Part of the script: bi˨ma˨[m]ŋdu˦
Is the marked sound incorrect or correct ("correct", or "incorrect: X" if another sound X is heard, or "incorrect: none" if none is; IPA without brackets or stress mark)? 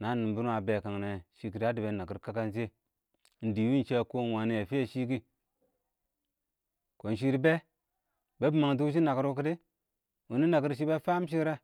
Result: incorrect: none